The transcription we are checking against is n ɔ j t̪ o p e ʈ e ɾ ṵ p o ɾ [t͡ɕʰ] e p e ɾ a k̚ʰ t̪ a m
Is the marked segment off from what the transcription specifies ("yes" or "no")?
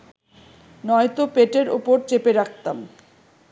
yes